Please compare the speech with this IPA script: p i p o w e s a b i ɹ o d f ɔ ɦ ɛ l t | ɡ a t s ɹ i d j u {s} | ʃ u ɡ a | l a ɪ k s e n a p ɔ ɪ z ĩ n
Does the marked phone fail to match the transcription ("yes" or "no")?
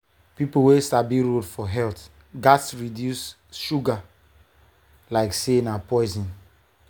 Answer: no